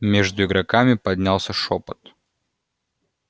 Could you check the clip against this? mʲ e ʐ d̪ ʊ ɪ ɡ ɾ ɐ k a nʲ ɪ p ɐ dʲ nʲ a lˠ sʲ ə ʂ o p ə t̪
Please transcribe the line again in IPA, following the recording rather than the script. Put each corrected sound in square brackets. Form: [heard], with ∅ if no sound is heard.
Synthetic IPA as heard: mʲ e ʐ d̪ ʊ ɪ ɡ ɾ ɐ k a [mʲ] ɪ p ɐ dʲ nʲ a lˠ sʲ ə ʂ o p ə t̪

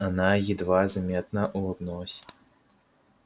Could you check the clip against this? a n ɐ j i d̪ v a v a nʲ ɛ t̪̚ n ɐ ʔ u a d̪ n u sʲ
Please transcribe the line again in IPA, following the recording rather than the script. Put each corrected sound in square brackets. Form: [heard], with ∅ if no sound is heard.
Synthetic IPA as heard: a n [a] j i d̪ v a [z] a [mʲ] ɛ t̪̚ n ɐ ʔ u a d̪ n [ɔ] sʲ

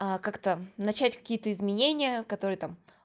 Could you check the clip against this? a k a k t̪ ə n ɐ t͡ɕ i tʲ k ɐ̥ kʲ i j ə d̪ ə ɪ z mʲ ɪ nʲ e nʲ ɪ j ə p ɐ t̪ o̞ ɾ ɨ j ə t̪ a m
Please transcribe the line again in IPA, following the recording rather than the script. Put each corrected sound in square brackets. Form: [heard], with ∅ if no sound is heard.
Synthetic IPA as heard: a k a k t̪ ə n ɐ t͡ɕ [æ] tʲ k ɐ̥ kʲ i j ə [t̪] ə ɪ z mʲ ɪ nʲ e nʲ ɪ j ə [k] ɐ t̪ o̞ ɾ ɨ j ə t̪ a m

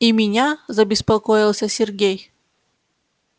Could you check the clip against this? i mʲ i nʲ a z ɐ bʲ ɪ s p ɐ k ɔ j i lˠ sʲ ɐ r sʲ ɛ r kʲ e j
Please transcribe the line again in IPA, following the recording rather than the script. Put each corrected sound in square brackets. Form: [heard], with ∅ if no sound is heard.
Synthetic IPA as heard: i mʲ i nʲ a z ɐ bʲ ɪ s p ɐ k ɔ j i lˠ sʲ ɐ [∅] sʲ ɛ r [ɡʲ] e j

